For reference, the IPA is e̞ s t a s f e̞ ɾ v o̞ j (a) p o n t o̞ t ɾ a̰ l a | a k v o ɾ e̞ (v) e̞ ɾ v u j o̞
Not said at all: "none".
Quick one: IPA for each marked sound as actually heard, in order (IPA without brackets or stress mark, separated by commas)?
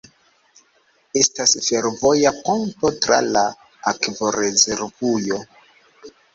a, z